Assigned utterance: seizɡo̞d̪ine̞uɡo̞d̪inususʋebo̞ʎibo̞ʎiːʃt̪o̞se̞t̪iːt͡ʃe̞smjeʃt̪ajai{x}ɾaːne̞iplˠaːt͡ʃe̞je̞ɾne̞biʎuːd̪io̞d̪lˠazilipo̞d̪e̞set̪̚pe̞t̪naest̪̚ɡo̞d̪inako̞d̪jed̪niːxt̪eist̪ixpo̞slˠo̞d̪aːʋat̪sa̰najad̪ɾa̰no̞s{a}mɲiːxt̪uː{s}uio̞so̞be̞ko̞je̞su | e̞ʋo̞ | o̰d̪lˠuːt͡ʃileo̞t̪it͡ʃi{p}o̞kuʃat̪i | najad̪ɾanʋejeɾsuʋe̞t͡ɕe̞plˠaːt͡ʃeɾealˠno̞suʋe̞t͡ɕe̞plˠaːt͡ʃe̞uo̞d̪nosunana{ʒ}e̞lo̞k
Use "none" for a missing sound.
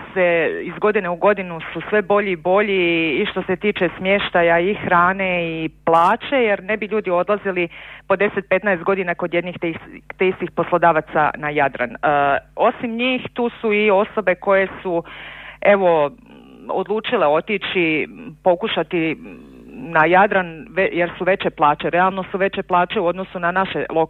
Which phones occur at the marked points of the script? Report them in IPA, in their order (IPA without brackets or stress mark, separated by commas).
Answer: x, i, s, p, ʃ